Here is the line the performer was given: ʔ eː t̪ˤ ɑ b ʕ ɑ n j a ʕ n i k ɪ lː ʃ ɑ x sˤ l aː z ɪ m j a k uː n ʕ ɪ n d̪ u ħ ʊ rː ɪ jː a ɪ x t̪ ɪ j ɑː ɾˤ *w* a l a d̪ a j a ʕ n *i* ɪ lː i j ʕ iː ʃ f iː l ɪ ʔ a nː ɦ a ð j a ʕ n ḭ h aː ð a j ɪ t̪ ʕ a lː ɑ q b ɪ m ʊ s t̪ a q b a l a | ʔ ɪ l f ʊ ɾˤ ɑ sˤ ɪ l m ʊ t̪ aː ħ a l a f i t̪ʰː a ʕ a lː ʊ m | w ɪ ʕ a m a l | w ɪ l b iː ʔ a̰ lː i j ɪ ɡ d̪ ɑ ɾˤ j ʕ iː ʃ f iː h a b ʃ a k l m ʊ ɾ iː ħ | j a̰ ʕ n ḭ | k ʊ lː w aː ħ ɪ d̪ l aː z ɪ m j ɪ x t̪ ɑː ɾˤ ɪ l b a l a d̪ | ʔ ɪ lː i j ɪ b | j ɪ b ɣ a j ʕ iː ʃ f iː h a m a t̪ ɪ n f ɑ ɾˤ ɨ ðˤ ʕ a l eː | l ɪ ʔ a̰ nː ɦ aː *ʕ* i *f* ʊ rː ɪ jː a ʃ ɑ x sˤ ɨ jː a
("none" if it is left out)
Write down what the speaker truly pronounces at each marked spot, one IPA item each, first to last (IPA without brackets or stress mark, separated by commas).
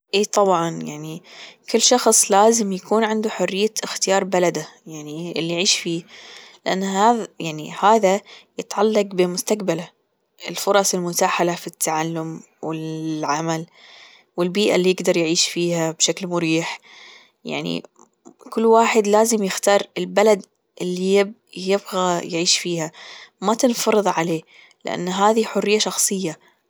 b, i, ð, ħ